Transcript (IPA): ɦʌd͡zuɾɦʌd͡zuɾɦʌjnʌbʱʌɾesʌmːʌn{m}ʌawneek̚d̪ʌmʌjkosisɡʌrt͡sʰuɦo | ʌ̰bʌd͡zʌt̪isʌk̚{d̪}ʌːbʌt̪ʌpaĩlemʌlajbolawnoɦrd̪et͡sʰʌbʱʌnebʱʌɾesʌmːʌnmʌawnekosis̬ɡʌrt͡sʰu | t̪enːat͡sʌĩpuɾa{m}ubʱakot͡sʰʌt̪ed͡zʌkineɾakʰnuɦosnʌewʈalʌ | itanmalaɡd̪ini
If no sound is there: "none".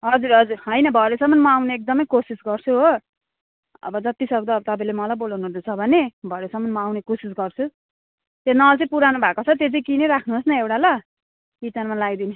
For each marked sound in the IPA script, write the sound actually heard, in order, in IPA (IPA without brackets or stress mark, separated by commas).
m, d̪, n